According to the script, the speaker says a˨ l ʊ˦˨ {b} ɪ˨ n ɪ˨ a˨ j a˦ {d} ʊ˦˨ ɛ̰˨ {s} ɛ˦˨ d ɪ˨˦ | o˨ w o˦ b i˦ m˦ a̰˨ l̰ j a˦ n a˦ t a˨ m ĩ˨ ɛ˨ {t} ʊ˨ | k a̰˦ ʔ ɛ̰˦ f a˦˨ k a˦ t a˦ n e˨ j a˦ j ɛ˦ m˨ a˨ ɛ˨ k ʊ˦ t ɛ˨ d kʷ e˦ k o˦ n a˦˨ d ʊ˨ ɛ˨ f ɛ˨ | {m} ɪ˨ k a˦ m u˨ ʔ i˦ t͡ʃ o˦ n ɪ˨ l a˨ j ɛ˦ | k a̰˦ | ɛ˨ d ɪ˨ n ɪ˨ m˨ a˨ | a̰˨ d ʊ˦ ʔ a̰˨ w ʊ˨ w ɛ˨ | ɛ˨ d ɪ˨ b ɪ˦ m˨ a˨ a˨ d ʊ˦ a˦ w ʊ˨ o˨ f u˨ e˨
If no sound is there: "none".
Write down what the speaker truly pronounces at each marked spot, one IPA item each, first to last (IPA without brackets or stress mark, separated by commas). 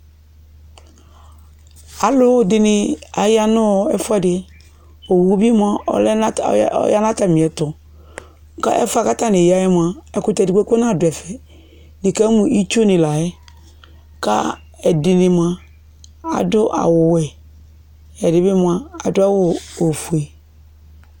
d, n, f, t, n